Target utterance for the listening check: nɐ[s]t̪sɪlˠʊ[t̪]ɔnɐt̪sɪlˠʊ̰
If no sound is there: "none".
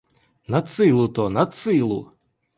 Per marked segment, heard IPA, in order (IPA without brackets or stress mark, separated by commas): none, t̪